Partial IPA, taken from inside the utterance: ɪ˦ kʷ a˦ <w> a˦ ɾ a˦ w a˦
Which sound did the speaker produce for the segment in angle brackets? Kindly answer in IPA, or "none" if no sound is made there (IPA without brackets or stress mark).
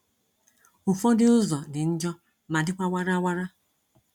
w